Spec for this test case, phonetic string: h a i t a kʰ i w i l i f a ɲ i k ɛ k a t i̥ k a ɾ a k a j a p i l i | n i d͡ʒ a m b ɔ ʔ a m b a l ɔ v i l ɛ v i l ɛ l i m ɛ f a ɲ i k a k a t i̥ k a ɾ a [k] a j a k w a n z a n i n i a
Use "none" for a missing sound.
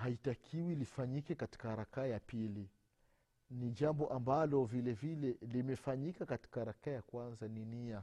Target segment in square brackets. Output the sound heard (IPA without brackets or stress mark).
k